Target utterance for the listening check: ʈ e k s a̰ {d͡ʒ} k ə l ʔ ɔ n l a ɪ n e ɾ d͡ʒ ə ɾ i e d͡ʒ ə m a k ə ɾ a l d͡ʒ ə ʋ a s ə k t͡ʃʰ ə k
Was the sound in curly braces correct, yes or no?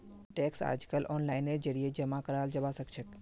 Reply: yes